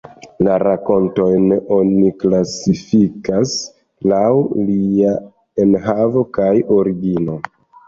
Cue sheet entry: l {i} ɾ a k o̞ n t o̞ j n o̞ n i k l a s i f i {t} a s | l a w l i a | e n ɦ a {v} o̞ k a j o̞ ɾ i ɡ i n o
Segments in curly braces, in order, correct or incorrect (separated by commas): incorrect, incorrect, correct